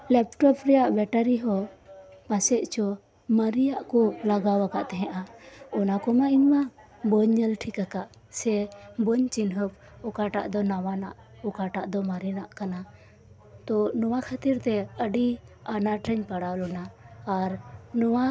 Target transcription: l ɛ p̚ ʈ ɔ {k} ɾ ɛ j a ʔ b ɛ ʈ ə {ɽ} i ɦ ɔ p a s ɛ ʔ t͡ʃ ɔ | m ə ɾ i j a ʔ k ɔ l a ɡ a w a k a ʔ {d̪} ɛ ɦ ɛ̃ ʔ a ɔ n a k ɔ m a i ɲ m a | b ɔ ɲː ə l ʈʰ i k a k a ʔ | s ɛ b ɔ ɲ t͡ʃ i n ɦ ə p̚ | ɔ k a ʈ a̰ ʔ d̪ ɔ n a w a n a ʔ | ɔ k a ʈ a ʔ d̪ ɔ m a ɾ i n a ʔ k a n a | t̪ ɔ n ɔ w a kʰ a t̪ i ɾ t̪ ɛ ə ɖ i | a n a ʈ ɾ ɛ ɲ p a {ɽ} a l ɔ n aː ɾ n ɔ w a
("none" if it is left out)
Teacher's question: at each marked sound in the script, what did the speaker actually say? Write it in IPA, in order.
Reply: p, ɾ, t̪, ɽ

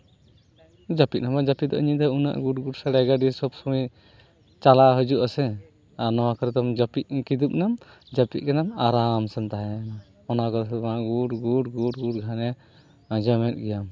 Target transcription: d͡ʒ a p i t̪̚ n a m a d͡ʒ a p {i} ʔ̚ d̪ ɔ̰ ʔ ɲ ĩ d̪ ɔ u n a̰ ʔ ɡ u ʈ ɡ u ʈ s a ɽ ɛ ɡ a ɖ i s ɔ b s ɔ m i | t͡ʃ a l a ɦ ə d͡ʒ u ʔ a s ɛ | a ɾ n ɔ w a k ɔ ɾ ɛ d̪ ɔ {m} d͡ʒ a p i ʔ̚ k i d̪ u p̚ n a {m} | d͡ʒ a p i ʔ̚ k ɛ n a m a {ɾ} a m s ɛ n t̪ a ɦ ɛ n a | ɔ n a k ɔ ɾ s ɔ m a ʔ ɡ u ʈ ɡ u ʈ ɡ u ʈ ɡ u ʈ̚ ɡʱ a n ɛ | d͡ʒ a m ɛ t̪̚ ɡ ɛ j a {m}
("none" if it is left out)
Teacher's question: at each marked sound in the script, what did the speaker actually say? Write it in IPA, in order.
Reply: i, m, m, ɾ, m

